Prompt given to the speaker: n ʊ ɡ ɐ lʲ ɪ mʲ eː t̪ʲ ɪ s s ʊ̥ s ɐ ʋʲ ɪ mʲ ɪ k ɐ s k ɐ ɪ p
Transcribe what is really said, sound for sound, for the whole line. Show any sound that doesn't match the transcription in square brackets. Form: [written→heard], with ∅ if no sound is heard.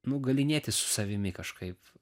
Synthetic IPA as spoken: n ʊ ɡ ɐ lʲ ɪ [mʲ→nʲ] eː t̪ʲ ɪ s s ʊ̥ s ɐ ʋʲ ɪ mʲ ɪ k ɐ [s→ʃ] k ɐ ɪ p